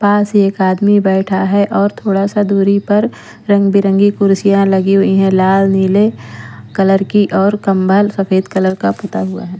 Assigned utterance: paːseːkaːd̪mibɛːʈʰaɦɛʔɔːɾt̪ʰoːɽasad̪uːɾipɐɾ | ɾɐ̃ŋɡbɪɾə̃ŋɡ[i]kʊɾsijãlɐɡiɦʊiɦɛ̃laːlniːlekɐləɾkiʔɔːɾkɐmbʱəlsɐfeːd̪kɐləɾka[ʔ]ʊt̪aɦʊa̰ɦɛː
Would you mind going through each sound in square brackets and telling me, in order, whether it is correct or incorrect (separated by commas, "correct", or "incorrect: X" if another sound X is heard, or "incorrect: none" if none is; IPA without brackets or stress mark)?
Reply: correct, incorrect: p